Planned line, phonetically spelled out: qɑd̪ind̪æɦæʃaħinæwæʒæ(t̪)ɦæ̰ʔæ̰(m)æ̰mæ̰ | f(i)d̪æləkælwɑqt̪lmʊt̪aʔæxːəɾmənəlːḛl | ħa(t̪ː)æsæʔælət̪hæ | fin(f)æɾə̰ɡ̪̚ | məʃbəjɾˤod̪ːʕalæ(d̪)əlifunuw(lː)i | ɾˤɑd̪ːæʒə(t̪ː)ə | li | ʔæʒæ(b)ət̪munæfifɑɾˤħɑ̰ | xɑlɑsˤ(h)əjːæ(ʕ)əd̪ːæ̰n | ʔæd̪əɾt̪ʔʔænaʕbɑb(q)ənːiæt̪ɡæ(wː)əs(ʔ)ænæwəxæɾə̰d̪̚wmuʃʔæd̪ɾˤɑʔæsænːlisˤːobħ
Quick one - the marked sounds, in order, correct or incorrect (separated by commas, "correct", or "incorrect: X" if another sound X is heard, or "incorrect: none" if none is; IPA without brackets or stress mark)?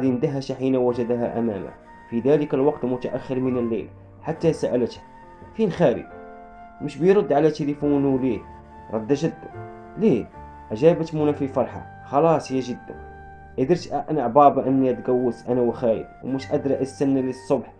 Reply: incorrect: d̪, correct, correct, correct, incorrect: x, incorrect: t̪, incorrect: l, incorrect: d̪ː, correct, correct, incorrect: ʒ, incorrect: ʔ, correct, correct